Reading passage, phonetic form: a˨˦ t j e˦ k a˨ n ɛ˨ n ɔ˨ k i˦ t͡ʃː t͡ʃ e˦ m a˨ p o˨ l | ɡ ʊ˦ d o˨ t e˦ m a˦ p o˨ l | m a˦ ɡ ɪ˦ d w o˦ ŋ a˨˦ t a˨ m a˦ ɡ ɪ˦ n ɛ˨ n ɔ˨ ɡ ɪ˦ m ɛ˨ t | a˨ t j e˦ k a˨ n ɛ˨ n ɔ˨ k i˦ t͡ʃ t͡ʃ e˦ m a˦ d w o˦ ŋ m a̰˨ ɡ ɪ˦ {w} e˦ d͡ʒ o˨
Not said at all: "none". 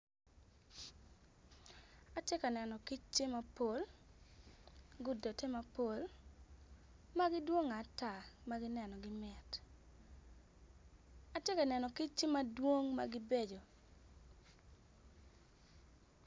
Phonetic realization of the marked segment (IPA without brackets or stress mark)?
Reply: b